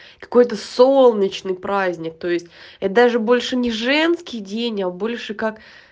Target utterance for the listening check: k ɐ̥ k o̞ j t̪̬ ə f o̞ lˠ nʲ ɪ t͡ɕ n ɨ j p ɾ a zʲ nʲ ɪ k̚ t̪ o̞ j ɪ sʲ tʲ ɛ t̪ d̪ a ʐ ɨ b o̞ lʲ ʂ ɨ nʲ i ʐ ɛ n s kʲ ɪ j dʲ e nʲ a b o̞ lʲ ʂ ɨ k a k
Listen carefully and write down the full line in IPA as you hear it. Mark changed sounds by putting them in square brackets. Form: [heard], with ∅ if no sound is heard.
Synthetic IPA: k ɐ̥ k o̞ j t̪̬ ə [s] o̞ lˠ nʲ ɪ t͡ɕ n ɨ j p ɾ a zʲ nʲ ɪ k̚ t̪ o̞ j ɪ sʲ tʲ ɛ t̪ d̪ a ʐ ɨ b o̞ lʲ ʂ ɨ nʲ [ɪ] ʐ ɛ n s kʲ ɪ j dʲ e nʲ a b o̞ lʲ ʂ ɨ k a k